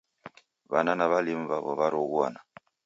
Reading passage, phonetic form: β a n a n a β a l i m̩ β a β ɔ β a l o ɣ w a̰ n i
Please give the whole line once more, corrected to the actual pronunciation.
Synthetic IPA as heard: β a n a n a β a l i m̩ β a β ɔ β a ɾ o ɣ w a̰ n a